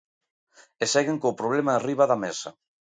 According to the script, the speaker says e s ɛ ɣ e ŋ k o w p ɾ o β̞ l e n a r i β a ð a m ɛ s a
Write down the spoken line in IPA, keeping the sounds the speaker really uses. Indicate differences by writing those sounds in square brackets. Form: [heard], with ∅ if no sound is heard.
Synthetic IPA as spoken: e s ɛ ɣ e ŋ k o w p ɾ o β̞ l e [m] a r i β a ð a m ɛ s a